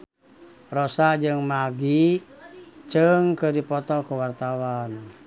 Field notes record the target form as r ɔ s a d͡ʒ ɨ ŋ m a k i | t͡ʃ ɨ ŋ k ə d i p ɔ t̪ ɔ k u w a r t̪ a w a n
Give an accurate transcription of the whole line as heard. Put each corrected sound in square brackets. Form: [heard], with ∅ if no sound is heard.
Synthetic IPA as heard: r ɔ s a d͡ʒ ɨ ŋ m a [ɡ] i | t͡ʃ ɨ ŋ k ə d i p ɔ t̪ ɔ k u w a r t̪ a w a n